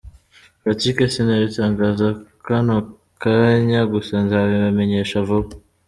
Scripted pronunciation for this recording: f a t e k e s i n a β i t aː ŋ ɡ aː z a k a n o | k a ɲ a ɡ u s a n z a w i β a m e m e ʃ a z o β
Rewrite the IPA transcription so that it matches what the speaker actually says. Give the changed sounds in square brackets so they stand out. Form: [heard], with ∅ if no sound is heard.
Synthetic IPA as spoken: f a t [i] k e s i n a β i t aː ŋ ɡ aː z a k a n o | k a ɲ a ɡ u s a n z a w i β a m e [ɲ] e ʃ a [v] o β